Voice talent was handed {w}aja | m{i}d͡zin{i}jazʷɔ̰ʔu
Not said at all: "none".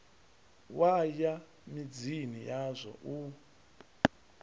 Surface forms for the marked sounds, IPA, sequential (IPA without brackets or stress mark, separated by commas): w, i, i